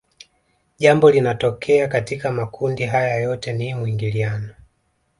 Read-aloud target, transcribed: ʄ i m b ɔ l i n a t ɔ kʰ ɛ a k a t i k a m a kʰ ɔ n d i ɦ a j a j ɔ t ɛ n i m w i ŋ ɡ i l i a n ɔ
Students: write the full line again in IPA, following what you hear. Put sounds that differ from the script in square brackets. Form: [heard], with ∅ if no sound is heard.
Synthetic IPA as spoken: ʄ [a] m b ɔ l i n a t ɔ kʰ ɛ a k a t i k a m a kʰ [u] n d i ɦ a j a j ɔ t ɛ n i m w i ŋ ɡ i l i a n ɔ